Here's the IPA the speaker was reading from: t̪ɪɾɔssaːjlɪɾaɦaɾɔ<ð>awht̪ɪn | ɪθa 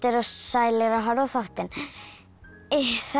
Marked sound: incorrect: θ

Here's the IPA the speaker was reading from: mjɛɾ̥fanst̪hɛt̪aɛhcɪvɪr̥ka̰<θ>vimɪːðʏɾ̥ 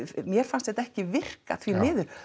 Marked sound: correct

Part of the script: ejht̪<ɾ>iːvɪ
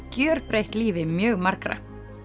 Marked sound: incorrect: l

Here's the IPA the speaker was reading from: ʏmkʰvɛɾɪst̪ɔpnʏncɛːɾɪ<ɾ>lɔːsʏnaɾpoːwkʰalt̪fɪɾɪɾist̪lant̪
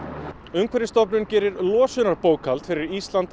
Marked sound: correct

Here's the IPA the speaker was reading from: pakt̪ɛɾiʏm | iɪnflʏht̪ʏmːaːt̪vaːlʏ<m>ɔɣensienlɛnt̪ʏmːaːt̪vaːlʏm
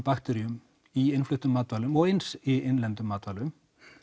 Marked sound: correct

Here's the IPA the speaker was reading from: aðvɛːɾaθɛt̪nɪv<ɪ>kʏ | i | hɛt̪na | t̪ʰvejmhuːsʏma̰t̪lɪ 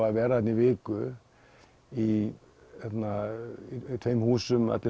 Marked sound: incorrect: ɪː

